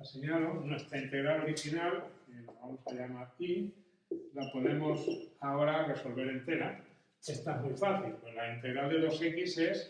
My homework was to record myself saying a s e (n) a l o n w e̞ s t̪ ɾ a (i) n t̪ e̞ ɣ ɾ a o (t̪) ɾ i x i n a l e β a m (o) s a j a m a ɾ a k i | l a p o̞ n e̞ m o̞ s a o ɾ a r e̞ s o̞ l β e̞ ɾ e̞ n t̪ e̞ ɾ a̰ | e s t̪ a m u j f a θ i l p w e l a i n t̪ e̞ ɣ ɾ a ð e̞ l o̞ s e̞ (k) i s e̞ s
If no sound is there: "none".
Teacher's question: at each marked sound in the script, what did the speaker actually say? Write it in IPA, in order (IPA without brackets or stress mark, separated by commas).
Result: ɲ, i, none, o, k